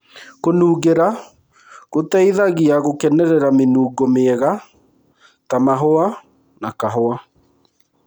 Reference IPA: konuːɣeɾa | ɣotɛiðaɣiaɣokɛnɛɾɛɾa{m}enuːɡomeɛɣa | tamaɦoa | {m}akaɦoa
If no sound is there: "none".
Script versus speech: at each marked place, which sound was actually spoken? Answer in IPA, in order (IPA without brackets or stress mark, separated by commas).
m, n